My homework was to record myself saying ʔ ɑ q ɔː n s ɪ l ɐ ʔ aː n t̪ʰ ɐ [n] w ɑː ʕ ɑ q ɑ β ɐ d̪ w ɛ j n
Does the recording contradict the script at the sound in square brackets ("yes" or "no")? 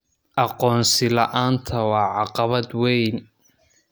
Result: yes